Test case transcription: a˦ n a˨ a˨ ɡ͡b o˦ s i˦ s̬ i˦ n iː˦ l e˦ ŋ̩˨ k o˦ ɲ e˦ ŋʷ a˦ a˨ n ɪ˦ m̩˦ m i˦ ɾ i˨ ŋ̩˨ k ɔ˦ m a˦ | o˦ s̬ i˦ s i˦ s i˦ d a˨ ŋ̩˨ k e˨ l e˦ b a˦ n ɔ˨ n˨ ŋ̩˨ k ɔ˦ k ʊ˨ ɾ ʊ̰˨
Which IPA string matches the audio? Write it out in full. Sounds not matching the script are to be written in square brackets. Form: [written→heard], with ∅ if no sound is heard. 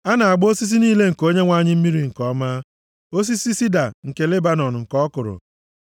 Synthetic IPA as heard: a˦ n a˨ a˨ ɡ͡b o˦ s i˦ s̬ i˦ n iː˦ l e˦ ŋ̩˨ k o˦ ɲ e˦ ŋʷ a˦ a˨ [n→ɲ] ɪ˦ m̩˦ m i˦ ɾ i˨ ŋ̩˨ k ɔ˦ m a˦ | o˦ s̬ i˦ s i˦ s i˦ d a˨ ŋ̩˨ k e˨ l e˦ b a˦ n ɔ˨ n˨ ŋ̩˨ k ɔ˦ k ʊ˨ ɾ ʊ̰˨

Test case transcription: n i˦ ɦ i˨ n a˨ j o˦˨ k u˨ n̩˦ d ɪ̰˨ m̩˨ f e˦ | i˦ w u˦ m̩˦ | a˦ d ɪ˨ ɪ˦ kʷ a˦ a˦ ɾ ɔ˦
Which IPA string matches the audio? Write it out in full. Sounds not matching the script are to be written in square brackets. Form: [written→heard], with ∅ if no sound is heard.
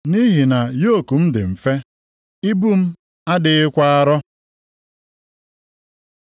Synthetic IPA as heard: n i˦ ɦ i˨ n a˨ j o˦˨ k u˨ [n̩˦→m̩˦] d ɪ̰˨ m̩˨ f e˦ | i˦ [w→b] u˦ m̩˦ | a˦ d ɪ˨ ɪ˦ kʷ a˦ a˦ ɾ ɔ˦

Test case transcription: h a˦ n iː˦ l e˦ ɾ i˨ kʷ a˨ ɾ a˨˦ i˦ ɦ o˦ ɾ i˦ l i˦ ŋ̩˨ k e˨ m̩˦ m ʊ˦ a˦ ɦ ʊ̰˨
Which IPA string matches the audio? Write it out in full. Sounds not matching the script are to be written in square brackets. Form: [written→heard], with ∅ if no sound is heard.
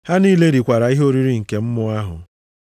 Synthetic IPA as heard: h a˦ n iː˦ l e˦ ɾ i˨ kʷ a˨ ɾ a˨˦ i˦ ɦ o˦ ɾ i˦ [l→ɾ] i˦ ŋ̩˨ k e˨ m̩˦ m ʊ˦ a˦ ɦ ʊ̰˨

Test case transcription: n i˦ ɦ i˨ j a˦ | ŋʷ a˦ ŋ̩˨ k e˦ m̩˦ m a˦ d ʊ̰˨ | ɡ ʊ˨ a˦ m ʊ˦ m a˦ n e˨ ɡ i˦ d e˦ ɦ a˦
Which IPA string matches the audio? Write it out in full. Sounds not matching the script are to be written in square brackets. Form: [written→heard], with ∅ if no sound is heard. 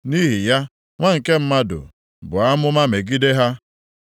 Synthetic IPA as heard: n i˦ ɦ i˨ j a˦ | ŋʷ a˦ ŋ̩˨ k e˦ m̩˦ m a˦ d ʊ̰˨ | [ɡ→b] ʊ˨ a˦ m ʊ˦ m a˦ [n→m] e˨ ɡ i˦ d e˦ ɦ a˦

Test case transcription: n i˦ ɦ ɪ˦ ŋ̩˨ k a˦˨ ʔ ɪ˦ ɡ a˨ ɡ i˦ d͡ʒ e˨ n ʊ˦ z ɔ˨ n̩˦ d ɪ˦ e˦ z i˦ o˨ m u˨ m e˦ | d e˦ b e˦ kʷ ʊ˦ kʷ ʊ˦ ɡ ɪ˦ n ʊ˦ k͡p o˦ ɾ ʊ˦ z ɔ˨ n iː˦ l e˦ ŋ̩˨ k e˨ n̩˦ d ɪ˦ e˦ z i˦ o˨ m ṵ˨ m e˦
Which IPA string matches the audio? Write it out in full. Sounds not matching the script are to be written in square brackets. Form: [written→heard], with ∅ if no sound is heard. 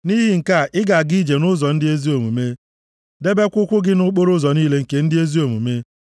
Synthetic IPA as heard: n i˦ ɦ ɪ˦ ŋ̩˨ k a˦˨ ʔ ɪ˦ ɡ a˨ ɡ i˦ d͡ʒ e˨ n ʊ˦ z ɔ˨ n̩˦ d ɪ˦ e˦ z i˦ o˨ m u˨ m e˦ | d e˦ b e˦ kʷ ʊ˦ kʷ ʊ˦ ɡ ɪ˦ n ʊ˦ k͡p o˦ ɾ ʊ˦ z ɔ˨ n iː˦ l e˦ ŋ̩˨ k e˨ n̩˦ d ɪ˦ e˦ z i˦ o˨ m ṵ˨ m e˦

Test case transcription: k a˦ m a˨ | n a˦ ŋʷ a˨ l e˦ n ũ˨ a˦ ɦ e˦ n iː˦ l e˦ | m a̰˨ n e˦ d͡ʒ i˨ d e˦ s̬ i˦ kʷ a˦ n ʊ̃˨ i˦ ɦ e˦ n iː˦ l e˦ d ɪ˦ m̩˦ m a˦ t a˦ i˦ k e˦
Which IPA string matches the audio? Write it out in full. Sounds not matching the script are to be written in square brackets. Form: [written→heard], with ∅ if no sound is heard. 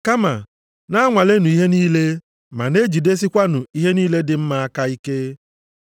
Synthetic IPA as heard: k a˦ m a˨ | n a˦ ŋʷ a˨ l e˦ n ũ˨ [a˦→i˦] ɦ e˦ n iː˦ l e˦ | m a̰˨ n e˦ d͡ʒ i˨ d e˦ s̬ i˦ kʷ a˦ n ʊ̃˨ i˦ ɦ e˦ n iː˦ l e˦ d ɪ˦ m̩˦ m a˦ [t→k] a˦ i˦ k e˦

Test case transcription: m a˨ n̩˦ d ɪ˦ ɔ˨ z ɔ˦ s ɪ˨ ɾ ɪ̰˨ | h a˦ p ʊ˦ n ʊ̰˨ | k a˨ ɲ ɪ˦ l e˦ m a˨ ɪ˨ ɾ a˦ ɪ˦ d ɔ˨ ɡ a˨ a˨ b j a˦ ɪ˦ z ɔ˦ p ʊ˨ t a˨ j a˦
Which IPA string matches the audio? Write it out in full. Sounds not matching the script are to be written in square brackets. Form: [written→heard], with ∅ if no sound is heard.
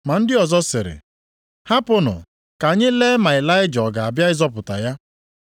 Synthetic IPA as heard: m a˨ n̩˦ d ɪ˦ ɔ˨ z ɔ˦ s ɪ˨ ɾ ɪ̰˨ | h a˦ p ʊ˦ n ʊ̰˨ | k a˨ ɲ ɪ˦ l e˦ m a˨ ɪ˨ [ɾ→l] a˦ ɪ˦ [d→d͡ʒ] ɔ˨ ɡ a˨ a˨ b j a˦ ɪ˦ z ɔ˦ p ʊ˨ t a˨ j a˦

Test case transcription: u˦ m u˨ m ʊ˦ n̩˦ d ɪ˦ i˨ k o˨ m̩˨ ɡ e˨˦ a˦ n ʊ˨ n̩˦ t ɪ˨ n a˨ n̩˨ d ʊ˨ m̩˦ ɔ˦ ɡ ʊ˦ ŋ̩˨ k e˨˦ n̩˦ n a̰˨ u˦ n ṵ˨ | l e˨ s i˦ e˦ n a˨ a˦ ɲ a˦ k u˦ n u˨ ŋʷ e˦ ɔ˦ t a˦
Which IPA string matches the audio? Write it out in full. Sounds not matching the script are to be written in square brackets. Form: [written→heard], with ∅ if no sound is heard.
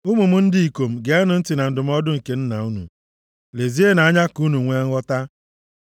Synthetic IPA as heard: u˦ m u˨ m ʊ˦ n̩˦ d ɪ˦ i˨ k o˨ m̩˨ ɡ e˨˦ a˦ n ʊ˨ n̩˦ t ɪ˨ n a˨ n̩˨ d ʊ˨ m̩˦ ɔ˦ [ɡ→d] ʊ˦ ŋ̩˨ k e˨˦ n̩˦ n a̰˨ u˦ n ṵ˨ | l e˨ [s→z] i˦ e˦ n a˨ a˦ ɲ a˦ k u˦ n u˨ ŋʷ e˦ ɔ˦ t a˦

